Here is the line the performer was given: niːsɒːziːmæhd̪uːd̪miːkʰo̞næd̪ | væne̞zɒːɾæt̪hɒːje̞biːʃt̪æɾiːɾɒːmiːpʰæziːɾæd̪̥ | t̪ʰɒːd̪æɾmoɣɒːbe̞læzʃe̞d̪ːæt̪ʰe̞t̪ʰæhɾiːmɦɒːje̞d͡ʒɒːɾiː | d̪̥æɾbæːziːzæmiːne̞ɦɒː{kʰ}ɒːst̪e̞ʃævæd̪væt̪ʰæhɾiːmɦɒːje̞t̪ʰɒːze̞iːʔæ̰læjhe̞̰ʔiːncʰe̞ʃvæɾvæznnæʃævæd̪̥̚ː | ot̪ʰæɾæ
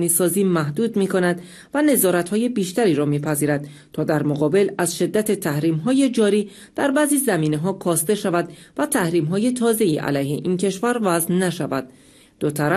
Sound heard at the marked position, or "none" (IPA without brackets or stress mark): kʰ